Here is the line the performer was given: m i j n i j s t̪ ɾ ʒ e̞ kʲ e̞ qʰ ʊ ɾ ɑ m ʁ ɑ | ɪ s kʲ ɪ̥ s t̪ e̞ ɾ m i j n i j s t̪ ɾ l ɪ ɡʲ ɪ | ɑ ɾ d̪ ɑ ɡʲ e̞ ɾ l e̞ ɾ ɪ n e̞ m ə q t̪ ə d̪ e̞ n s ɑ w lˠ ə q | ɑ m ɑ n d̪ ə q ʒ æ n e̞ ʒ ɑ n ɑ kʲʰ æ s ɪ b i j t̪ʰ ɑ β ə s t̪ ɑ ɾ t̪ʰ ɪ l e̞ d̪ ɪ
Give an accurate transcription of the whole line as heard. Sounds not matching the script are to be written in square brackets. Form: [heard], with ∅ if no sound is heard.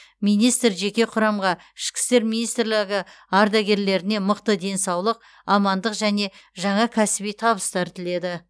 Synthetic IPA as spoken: m i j n i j s t̪ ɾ ʒ e̞ kʲ e̞ qʰ ʊ ɾ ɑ m ʁ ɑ | ɪ [ʃ] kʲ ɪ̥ s t̪ e̞ ɾ m i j n i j s t̪ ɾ l ɪ ɡʲ ɪ | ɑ ɾ d̪ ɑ ɡʲ e̞ ɾ l e̞ ɾ ɪ n e̞ m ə q t̪ ə d̪ e̞ n s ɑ w lˠ ə q | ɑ m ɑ n d̪ ə q ʒ æ n e̞ ʒ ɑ [ɴ] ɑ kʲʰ æ s ɪ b i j t̪ʰ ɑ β ə s t̪ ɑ ɾ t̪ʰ ɪ l e̞ d̪ ɪ